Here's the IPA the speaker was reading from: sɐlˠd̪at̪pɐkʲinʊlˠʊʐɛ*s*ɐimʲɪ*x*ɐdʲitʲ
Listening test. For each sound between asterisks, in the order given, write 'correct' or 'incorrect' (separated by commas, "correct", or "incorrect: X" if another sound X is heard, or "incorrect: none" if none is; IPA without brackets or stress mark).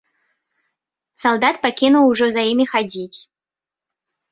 incorrect: z, correct